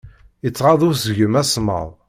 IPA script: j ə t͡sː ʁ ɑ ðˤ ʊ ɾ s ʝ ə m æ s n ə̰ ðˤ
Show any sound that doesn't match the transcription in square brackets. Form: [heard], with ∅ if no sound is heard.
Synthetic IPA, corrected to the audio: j ə t͡sː ʁ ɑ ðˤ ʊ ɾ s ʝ ə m æ s [m] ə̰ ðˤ